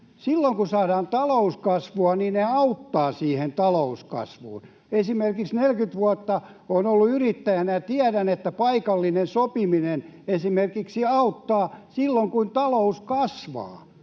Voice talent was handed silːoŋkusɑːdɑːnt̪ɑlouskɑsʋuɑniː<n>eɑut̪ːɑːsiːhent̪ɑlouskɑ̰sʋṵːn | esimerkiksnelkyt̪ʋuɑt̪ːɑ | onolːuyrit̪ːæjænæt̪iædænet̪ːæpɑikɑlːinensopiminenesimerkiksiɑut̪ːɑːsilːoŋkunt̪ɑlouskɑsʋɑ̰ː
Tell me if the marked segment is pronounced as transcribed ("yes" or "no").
yes